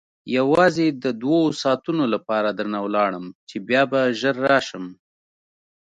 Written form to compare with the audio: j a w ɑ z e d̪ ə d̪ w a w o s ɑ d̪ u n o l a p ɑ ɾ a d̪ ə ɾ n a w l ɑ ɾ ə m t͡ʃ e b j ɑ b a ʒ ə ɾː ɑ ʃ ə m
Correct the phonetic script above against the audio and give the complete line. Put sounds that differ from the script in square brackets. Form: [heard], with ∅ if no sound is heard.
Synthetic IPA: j a w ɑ z e d̪ ə d̪ w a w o s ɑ [t̪] u n o l a p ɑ ɾ a d̪ ə ɾ n a w l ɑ [ɽ] ə m t͡ʃ e b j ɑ b a ʒ ə ɾː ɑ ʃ ə m